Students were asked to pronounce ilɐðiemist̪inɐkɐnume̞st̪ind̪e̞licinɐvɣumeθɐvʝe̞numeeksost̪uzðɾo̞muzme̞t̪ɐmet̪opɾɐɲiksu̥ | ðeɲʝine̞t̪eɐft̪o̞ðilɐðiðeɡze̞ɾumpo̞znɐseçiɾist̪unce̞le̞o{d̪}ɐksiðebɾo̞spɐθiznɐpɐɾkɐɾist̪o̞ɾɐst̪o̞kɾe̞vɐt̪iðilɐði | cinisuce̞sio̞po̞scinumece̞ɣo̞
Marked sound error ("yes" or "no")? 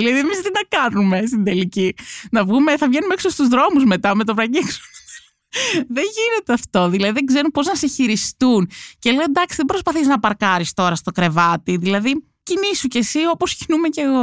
no